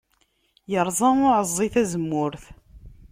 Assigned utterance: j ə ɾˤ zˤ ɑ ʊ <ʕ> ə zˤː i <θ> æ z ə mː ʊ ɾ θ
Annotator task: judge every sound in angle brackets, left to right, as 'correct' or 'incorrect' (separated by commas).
correct, correct